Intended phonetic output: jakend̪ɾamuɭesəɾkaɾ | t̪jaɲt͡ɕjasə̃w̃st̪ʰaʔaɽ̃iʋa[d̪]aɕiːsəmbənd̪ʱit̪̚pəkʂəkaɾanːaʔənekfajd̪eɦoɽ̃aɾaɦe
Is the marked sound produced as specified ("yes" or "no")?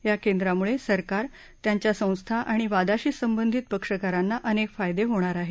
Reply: yes